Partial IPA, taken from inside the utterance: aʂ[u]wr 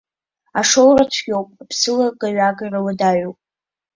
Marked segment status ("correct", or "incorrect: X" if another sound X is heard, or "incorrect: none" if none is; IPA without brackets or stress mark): incorrect: o